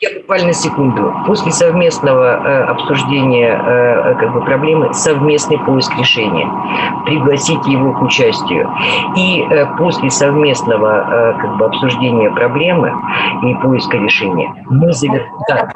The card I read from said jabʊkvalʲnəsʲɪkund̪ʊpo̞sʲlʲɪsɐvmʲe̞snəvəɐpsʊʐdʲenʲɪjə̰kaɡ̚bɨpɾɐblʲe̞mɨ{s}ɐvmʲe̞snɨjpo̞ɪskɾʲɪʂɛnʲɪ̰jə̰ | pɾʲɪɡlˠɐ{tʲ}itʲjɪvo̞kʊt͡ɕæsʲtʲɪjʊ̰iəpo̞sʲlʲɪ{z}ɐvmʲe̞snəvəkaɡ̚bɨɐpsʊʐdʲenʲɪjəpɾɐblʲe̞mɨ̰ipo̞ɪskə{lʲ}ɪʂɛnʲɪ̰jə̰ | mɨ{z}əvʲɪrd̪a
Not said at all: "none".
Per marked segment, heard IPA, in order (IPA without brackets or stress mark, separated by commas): s, sʲ, s, ɾʲ, z